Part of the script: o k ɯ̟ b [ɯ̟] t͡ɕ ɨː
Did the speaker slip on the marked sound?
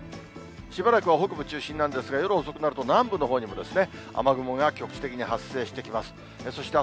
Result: no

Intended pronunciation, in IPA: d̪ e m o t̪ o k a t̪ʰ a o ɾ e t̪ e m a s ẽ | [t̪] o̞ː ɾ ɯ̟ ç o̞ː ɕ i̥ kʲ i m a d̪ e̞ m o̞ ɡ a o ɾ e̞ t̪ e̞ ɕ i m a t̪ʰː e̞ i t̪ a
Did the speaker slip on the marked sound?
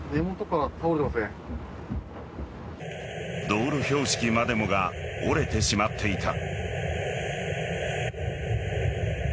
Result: yes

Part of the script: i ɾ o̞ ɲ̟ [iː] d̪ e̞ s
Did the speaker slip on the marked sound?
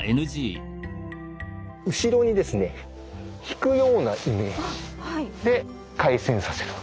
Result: yes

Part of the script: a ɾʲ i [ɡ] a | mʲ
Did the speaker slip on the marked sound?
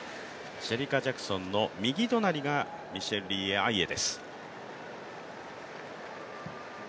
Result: no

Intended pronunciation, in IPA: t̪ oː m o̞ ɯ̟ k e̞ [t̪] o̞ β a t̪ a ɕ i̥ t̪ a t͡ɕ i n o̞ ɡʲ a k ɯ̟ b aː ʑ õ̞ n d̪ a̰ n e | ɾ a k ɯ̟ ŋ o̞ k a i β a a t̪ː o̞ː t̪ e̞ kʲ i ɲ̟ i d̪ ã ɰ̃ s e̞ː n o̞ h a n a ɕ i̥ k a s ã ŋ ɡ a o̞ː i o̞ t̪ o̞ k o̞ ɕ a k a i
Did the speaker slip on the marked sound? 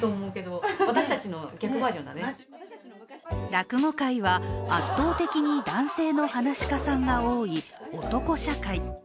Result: yes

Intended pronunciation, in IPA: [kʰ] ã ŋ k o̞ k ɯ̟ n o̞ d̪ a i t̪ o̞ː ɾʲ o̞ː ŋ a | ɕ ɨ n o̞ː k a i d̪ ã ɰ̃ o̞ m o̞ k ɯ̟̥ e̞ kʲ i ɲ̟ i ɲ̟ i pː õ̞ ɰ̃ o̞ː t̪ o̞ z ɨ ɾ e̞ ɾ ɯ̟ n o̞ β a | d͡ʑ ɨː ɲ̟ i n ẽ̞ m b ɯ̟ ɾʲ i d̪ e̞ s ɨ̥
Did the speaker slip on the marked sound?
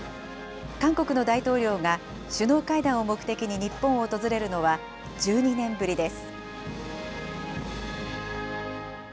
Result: yes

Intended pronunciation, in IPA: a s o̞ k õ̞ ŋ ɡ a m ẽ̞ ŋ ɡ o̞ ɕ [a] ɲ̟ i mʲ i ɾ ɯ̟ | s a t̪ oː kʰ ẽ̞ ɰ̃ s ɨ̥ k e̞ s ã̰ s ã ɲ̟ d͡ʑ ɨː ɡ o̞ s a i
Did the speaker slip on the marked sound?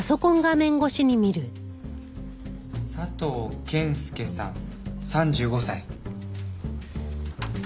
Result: yes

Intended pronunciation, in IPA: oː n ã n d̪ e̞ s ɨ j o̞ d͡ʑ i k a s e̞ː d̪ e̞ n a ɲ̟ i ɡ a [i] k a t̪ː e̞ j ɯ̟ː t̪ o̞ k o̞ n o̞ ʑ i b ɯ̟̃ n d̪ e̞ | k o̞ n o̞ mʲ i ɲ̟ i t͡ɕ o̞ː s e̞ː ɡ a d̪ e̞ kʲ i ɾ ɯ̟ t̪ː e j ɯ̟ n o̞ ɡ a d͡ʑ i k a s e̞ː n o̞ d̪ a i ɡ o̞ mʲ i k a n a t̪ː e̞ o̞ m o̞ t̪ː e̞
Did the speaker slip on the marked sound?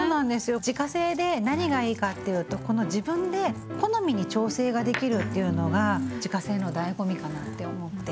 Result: yes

